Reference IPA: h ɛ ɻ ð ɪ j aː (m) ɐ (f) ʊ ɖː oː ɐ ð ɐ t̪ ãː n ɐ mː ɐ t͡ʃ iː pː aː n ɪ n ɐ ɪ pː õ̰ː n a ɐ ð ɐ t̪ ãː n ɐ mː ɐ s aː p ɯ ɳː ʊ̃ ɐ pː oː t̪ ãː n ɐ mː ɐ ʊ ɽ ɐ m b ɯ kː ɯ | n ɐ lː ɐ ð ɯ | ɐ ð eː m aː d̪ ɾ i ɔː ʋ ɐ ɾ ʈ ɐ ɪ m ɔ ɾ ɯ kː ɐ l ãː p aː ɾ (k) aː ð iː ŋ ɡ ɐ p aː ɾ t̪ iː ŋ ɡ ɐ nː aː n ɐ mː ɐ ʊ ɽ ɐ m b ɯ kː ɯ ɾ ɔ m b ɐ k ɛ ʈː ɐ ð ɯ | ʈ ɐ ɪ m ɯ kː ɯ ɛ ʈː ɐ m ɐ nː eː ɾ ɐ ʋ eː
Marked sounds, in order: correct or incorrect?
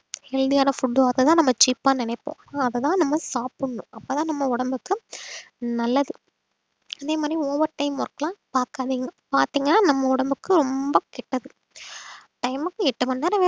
incorrect: n, correct, correct

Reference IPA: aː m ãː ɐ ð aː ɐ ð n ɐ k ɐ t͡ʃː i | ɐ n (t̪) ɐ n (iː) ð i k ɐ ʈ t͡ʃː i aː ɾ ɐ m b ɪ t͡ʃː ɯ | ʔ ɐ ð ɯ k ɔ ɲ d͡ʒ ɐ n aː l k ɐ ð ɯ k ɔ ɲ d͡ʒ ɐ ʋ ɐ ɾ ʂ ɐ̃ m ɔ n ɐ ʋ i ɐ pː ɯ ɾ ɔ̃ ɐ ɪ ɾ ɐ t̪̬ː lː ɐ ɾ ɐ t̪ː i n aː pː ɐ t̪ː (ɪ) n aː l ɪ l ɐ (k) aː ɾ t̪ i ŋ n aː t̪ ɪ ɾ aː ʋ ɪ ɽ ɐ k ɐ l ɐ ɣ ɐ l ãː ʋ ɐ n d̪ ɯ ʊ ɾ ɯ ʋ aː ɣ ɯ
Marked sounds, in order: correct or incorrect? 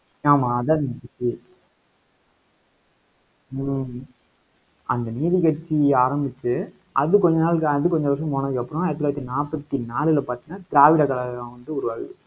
incorrect: d̪, correct, incorrect: i, incorrect: p

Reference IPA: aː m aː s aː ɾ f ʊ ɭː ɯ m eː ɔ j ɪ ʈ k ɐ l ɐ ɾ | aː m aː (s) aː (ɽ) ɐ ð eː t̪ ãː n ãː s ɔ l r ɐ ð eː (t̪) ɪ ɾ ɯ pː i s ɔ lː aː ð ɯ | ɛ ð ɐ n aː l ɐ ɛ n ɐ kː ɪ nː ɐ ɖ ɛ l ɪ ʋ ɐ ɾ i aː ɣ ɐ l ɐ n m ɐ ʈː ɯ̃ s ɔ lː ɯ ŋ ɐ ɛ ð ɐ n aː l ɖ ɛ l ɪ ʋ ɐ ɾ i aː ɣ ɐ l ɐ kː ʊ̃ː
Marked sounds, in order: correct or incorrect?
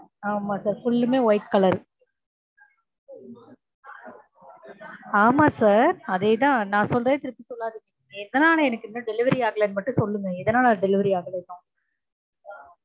correct, incorrect: ɾ, correct

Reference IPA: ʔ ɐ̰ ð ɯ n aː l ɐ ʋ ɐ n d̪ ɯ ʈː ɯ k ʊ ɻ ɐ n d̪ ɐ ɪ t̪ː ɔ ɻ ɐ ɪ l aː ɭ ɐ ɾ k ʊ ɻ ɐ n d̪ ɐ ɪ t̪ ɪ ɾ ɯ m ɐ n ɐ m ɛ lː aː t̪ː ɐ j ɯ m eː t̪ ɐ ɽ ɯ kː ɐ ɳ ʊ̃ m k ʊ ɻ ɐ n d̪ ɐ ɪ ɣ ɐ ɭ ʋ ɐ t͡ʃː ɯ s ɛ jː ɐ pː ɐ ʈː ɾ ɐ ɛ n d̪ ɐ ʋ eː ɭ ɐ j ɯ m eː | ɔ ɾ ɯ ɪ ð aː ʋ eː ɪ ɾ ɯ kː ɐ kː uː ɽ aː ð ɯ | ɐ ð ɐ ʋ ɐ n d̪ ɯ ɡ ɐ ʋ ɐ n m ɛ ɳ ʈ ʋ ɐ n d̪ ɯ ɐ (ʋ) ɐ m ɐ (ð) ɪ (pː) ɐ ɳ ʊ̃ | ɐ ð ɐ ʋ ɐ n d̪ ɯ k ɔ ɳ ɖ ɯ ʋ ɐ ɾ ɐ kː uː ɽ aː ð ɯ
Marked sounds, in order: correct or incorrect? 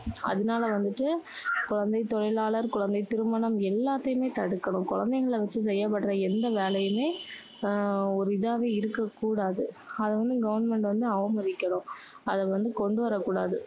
correct, correct, incorrect: kː

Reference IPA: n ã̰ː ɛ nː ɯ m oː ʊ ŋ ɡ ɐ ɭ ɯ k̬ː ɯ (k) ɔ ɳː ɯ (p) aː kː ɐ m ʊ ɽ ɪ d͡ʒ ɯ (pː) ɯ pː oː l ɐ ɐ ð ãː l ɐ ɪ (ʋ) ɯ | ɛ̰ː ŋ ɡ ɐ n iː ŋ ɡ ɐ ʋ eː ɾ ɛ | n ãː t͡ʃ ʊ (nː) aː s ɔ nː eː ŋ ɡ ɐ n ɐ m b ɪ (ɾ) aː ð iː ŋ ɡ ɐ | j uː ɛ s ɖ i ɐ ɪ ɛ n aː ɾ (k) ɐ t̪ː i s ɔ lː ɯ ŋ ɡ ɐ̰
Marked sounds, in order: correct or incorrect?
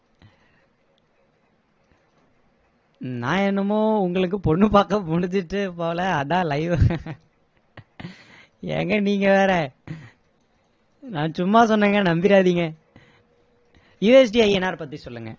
incorrect: p, correct, incorrect: ʈː, correct, incorrect: mː, correct, incorrect: p

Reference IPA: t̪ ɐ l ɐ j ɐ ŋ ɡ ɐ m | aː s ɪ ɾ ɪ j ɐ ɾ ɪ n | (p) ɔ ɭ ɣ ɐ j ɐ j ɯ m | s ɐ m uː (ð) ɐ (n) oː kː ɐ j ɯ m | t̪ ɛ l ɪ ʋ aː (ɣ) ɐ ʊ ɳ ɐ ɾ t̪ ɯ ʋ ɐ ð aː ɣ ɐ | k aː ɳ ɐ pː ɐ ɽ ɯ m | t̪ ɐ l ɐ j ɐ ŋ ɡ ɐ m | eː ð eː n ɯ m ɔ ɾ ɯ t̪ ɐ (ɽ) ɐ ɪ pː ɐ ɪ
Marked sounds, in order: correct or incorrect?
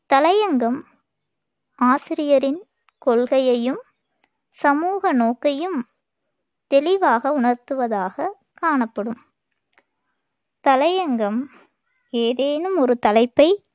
incorrect: k, incorrect: ɣ, correct, correct, incorrect: l

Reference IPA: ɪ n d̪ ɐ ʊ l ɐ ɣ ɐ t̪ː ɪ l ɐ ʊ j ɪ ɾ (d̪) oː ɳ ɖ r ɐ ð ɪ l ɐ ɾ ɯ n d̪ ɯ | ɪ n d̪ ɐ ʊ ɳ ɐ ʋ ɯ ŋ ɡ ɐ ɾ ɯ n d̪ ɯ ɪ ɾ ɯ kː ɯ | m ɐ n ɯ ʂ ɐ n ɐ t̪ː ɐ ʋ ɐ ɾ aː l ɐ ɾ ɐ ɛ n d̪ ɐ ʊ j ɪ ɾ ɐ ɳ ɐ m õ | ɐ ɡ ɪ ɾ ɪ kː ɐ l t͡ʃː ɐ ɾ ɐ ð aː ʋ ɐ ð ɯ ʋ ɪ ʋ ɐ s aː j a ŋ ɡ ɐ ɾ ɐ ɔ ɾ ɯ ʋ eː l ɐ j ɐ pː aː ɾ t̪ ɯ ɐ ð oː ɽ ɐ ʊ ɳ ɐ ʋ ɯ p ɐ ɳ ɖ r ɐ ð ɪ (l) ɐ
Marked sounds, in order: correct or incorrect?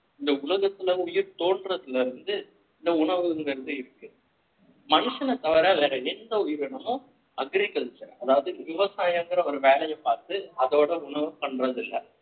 incorrect: t̪, incorrect: lː

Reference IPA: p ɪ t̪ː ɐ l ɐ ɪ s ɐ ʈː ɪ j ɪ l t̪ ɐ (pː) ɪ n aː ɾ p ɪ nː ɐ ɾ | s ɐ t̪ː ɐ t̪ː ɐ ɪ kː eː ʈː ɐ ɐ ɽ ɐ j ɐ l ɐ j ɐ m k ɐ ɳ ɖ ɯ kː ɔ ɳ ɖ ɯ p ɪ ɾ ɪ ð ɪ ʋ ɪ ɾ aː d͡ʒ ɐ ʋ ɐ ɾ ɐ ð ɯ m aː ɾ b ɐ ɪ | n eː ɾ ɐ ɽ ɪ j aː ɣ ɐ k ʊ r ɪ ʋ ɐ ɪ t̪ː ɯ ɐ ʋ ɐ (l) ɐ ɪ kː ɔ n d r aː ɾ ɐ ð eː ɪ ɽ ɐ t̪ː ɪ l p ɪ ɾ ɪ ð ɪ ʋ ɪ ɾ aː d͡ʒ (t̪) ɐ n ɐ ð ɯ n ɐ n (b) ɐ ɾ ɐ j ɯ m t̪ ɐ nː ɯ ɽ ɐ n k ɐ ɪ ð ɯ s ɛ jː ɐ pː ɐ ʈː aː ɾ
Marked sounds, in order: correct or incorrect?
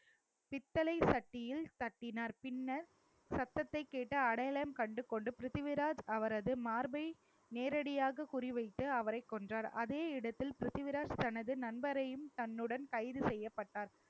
incorrect: ʈː, incorrect: ɾ, correct, correct

